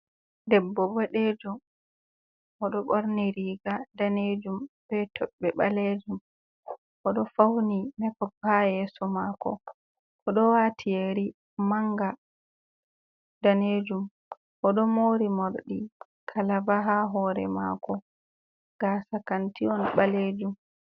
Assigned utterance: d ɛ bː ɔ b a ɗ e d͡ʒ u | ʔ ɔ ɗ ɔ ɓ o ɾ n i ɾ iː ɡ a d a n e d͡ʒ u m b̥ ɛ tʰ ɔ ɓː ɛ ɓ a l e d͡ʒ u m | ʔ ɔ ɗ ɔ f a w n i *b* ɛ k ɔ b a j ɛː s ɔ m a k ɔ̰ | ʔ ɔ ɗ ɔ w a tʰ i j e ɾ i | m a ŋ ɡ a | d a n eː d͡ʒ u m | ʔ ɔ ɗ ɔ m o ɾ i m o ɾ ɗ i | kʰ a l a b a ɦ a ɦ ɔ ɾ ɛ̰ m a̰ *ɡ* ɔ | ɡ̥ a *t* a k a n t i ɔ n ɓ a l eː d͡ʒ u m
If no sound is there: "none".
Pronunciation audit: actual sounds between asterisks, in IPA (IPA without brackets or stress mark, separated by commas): m, k, s